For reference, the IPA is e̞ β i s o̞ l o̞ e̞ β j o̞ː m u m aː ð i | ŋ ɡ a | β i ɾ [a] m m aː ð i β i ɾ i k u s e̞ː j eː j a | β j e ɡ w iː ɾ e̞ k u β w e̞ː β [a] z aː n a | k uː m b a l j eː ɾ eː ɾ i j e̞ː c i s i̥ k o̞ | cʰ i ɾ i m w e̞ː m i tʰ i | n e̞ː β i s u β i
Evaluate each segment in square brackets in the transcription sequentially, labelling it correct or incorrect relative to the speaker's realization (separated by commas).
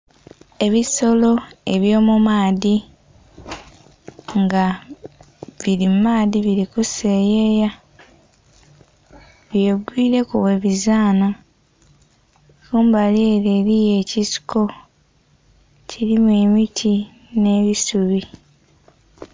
incorrect, incorrect